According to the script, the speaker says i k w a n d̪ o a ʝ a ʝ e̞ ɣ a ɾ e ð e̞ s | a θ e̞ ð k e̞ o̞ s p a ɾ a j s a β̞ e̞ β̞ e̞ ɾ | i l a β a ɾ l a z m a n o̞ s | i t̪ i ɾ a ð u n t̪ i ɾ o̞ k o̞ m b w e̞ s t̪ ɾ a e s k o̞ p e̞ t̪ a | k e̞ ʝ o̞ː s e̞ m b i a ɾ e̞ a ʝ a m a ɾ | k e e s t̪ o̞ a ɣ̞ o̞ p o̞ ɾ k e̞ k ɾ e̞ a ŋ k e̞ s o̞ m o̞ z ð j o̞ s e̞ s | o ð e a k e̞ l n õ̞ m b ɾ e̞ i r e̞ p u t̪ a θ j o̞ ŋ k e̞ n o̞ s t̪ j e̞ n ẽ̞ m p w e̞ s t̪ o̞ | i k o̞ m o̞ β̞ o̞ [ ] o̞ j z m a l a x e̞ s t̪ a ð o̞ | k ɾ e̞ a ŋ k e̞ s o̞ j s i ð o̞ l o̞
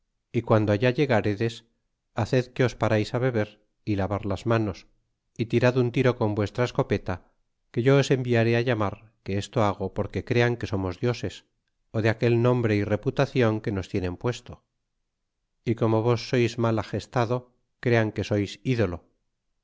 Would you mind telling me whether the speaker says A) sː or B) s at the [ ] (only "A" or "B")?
A